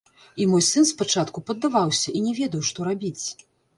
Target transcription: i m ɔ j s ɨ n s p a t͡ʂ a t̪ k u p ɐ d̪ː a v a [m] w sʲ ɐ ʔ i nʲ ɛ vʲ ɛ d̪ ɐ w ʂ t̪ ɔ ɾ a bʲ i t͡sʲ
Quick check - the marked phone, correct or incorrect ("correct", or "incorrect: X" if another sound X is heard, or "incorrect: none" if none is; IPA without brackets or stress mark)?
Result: incorrect: none